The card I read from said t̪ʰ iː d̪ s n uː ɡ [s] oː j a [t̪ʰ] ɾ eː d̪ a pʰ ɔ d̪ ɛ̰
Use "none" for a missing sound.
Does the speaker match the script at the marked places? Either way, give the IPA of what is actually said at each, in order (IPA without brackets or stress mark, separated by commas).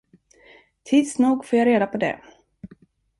f, none